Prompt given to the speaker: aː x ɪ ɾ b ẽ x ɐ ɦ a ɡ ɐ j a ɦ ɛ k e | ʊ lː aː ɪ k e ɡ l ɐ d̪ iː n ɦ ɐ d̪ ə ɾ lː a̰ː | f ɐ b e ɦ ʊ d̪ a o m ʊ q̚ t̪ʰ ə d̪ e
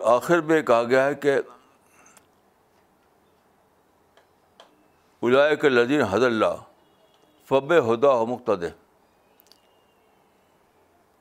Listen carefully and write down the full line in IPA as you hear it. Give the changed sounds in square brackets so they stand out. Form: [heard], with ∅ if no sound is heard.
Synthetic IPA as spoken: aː x ɪ ɾ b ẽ [k] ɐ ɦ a ɡ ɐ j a ɦ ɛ k e | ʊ [l] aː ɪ k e [∅] l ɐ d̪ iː n ɦ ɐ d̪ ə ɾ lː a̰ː | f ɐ b e ɦ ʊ d̪ a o m ʊ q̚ [t̪] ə d̪ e